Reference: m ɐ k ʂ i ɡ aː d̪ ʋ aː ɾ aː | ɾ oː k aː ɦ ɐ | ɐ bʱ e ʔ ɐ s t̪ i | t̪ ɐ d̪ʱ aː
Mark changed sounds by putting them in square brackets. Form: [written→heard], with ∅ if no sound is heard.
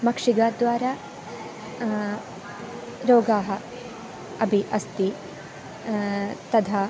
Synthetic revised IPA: m ɐ k ʂ i ɡ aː d̪ ʋ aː ɾ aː | ɾ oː [k→ɡ] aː ɦ ɐ | ɐ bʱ [e→i] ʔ ɐ s t̪ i | t̪ ɐ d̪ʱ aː